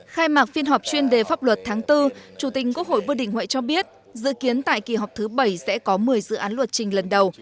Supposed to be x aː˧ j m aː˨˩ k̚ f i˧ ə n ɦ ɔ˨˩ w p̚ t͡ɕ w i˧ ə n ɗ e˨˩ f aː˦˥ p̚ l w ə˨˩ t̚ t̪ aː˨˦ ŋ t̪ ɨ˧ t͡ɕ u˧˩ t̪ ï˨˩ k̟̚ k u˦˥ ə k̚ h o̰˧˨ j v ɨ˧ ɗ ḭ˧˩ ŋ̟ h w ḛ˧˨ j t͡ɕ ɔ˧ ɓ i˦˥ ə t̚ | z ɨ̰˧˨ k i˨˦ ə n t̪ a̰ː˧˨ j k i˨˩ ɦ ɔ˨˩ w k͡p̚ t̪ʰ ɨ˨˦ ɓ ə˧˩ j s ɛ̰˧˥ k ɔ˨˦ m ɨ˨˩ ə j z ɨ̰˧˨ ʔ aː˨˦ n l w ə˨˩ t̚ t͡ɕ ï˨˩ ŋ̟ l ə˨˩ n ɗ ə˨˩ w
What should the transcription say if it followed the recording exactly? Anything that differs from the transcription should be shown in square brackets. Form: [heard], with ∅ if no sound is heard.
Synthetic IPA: x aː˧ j m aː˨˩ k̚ f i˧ ə n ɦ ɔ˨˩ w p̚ t͡ɕ w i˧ ə n ɗ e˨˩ f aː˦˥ p̚ l w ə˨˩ t̚ [t̪ʰ] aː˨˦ ŋ t̪ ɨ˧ t͡ɕ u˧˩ t̪ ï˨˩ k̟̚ k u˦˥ ə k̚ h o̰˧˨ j v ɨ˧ ɗ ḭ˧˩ ŋ̟ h w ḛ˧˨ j t͡ɕ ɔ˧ ɓ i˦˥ ə t̚ | z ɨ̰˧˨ k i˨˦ ə n t̪ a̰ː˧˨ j k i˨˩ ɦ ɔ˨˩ w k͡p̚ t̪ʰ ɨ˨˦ ɓ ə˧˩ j s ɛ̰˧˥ k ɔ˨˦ m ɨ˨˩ ə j z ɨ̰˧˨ ʔ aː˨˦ n l w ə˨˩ t̚ t͡ɕ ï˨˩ ŋ̟ l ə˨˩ n ɗ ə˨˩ w

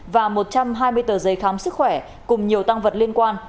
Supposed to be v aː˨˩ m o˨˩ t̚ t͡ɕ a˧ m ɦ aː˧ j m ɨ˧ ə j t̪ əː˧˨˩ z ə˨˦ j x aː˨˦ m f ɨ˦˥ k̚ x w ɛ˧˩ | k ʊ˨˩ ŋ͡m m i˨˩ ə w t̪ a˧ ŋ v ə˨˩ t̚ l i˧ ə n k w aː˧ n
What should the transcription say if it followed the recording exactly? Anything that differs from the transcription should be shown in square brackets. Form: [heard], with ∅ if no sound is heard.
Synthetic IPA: v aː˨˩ m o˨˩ t̚ t͡ɕ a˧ m ɦ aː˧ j m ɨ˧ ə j t̪ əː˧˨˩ z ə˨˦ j x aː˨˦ m [s] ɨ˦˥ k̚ x w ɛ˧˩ | k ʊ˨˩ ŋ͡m [ɲ] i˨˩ ə w t̪ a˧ ŋ v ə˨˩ t̚ l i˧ ə n k w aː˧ n

